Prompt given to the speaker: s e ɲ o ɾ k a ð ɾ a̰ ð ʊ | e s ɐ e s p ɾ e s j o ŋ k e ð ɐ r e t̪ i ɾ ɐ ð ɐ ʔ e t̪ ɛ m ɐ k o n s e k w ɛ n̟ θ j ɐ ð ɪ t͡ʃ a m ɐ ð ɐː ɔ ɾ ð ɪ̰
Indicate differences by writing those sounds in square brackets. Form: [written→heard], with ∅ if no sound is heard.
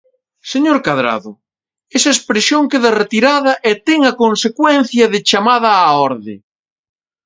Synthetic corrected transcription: s e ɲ o ɾ k a ð ɾ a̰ ð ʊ | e s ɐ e s p ɾ e s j o ŋ k e ð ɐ r e t̪ i ɾ [ɐ→a] ð ɐ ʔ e t̪ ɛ [m→ŋ] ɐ k o n s e k w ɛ n̟ θ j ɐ ð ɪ t͡ʃ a m [ɐ→a] ð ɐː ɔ ɾ ð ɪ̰